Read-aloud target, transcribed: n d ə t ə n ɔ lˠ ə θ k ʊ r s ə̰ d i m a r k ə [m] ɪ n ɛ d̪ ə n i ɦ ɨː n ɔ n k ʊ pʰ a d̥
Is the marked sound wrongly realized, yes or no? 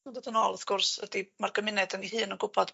no